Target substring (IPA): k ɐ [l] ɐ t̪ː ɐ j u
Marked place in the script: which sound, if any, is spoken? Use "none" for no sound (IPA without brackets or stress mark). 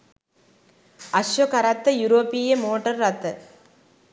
ɾ